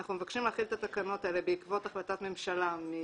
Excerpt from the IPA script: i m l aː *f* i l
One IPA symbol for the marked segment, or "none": χ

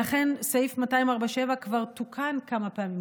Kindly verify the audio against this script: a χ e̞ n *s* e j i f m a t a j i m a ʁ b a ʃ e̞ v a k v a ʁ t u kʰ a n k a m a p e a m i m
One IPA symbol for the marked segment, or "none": s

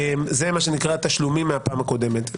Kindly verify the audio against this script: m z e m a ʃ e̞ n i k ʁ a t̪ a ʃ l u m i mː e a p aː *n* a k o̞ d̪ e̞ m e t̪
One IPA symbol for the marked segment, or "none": m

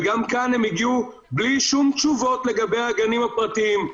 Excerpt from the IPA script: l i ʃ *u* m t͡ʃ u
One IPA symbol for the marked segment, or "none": u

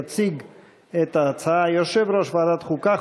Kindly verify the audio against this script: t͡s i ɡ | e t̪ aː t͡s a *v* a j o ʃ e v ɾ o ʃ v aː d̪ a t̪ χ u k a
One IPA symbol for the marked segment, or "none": none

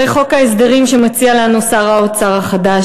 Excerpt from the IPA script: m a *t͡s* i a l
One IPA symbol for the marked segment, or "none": t͡s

